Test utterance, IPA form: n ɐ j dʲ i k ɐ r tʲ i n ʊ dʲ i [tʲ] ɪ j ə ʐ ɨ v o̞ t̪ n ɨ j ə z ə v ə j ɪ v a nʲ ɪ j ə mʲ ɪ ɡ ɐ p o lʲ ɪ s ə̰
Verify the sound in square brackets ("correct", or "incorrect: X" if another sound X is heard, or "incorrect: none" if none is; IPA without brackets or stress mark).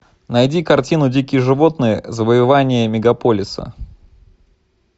incorrect: kʲ